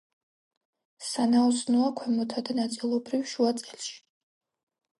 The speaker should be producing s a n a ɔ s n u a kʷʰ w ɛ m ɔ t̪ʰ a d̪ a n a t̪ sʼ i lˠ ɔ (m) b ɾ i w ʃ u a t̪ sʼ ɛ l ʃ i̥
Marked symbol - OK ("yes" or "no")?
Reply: no